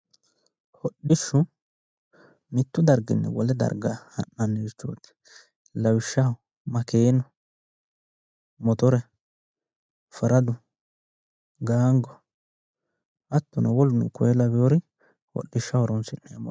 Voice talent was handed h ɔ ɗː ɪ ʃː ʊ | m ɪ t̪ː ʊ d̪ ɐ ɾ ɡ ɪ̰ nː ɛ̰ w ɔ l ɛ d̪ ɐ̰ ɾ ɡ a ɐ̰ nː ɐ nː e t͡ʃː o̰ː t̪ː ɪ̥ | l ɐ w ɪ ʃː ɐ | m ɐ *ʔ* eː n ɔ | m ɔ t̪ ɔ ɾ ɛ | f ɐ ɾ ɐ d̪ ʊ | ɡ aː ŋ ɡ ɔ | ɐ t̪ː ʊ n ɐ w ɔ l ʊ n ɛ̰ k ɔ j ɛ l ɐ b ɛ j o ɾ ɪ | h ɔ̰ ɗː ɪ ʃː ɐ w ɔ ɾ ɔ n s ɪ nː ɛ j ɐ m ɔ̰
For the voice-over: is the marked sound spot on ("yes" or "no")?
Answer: no